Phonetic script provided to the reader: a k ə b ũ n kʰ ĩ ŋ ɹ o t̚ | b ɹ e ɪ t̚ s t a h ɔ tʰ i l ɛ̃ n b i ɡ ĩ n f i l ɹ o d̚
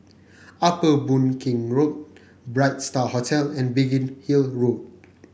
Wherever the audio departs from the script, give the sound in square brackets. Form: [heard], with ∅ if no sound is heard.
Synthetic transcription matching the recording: a [p] ə b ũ n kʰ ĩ ŋ ɹ o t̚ | b ɹ [a] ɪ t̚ s t a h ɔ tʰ [ɛ] l ɛ̃ n b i ɡ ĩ n [h] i l ɹ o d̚